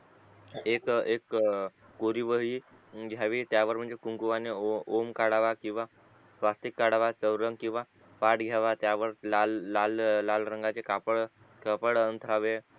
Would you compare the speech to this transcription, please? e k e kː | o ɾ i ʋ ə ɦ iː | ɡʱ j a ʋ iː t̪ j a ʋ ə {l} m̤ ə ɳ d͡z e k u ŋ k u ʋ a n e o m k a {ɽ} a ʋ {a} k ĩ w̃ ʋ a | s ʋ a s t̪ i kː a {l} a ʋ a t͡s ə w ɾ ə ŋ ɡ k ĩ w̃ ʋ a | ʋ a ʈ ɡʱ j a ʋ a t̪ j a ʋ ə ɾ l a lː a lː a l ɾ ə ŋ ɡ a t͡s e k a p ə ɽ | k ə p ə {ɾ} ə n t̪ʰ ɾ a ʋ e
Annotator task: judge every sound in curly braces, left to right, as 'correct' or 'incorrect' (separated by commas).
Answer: incorrect, correct, correct, incorrect, incorrect